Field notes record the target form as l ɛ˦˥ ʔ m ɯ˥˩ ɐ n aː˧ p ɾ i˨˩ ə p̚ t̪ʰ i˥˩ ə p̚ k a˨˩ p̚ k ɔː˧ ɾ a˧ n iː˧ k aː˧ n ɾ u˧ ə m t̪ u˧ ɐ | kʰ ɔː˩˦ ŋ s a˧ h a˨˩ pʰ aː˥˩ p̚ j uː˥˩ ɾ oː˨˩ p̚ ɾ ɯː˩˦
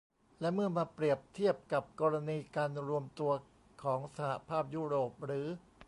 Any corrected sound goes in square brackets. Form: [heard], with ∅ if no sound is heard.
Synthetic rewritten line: l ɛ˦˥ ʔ m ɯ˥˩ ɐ [m] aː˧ p ɾ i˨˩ ə p̚ t̪ʰ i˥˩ ə p̚ k a˨˩ p̚ k ɔː˧ ɾ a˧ n iː˧ k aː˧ n ɾ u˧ ə m t̪ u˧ ɐ | kʰ ɔː˩˦ ŋ s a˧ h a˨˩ pʰ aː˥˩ p̚ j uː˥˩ ɾ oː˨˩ p̚ ɾ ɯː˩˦

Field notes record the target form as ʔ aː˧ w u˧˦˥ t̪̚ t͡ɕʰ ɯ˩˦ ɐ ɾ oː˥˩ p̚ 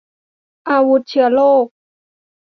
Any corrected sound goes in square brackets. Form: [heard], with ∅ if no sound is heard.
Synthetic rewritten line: ʔ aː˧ w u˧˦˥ t̪̚ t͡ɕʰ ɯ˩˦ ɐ [l] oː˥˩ [k̚]

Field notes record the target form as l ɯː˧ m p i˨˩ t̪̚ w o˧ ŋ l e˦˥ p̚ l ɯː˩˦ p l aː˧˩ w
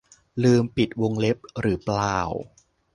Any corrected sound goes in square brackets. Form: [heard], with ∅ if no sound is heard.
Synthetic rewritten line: l ɯː˧ m p i˨˩ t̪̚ w o˧ ŋ l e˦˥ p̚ [ɾ] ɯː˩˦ p l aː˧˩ w

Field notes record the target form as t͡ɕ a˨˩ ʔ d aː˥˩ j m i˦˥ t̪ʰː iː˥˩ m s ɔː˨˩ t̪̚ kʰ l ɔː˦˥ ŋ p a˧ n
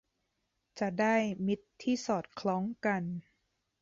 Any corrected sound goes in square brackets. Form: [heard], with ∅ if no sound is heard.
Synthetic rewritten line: t͡ɕ a˨˩ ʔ d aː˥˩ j m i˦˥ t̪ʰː iː˥˩ [∅] s ɔː˨˩ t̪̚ kʰ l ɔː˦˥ ŋ [k] a˧ n

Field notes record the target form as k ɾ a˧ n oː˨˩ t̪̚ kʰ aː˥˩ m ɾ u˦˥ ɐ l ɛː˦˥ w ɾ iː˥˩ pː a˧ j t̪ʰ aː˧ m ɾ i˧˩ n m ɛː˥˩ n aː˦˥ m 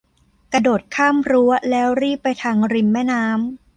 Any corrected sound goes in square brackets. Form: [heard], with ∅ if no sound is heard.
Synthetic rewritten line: k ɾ a˧ [d] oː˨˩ t̪̚ kʰ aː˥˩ m ɾ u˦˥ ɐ l ɛː˦˥ w ɾ iː˥˩ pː a˧ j t̪ʰ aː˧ [ŋ] ɾ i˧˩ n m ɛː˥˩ n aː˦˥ m

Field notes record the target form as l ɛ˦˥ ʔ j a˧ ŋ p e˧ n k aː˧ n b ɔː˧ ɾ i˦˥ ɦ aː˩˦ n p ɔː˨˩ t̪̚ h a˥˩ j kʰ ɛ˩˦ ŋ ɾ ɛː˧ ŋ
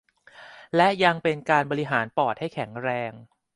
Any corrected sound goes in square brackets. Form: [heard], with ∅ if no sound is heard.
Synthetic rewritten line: l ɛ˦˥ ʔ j a˧ ŋ p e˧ n k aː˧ n b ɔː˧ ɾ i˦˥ ɦ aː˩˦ n p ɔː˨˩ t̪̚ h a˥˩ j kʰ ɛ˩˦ ŋ ɾ ɛː˧ ŋ

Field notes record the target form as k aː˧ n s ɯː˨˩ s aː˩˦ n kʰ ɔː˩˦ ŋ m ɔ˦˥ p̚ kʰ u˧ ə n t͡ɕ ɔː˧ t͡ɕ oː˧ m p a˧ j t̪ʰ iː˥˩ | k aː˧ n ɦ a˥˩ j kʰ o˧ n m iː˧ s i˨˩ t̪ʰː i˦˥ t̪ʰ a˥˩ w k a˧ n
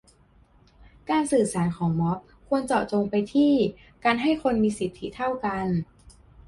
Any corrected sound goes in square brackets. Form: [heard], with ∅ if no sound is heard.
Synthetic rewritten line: k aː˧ n s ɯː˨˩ s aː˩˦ n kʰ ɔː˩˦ ŋ m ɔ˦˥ p̚ kʰ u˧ ə n t͡ɕ [ɔː˨˩] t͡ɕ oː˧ [ŋ] p a˧ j t̪ʰ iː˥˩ | k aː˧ n ɦ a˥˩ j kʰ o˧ n m iː˧ s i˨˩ t̪ʰː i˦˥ t̪ʰ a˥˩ w k a˧ n

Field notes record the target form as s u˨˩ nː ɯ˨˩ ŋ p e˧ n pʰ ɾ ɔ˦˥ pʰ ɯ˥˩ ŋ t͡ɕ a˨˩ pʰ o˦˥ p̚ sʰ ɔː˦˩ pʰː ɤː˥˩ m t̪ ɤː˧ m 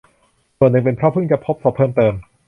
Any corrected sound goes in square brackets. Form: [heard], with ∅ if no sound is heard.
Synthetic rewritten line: s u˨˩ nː ɯ˨˩ ŋ p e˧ n pʰ ɾ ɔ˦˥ pʰ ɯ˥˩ ŋ t͡ɕ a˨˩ pʰ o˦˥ p̚ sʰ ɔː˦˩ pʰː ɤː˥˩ m t̪ ɤː˧ m

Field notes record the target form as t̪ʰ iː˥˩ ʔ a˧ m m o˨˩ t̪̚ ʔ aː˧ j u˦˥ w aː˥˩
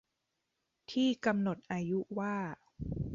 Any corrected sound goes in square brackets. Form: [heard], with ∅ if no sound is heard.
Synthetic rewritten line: t̪ʰ iː˥˩ [k] a˧ m [n] o˨˩ t̪̚ ʔ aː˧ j u˦˥ w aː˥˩

